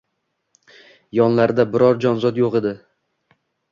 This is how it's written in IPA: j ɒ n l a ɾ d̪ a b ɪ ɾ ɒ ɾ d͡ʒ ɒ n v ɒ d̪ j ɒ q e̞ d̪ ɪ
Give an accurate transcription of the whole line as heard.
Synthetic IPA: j ɒ n l a ɾ d̪ a b ɪ ɾ ɒ ɾ d͡ʒ ɒ n z ɒ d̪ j o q e̞ d̪ ɪ